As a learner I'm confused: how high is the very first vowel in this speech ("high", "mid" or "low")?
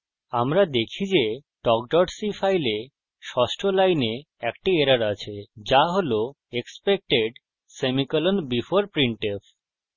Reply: low